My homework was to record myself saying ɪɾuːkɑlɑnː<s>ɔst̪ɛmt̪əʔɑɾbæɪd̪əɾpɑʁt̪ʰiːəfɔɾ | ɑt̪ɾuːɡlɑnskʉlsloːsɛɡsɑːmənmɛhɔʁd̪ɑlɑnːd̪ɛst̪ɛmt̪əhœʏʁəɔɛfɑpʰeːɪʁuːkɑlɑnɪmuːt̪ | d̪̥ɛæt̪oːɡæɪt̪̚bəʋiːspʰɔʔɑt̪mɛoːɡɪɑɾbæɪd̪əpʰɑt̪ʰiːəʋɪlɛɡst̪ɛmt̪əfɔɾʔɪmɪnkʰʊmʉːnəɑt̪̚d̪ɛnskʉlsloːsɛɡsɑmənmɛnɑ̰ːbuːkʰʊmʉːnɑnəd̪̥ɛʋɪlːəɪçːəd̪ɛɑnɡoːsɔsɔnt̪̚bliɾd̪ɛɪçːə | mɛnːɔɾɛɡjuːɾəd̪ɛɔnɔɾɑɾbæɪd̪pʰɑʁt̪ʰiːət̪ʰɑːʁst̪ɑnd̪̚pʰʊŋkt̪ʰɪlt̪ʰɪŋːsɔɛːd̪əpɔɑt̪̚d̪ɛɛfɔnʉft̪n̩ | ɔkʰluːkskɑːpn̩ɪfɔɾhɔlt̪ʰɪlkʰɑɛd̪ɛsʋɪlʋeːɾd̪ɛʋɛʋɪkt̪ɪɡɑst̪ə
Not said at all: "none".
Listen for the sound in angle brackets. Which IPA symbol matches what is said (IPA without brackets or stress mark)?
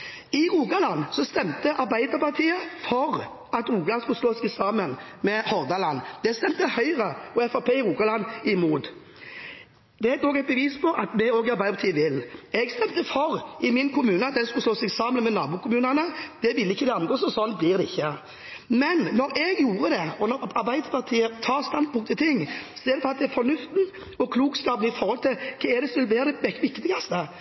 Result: s